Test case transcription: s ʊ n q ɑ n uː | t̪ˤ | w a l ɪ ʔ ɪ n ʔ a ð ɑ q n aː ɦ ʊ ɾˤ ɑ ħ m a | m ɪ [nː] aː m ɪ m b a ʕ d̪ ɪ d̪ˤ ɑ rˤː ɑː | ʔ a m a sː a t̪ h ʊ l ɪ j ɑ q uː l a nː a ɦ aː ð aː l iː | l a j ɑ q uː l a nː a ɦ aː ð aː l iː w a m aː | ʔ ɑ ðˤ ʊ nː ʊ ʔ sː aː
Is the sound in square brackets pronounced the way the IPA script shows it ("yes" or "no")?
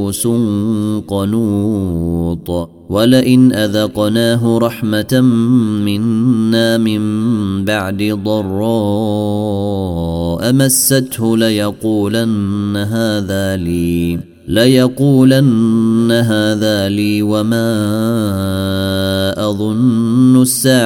yes